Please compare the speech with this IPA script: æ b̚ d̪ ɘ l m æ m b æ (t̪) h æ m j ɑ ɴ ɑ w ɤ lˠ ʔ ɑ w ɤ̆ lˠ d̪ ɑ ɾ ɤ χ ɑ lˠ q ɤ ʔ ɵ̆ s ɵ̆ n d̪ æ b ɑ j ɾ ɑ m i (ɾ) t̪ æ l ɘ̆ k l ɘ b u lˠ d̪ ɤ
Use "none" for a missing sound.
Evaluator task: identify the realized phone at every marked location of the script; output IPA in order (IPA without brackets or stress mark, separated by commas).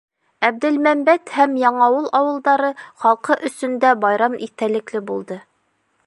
t̪, none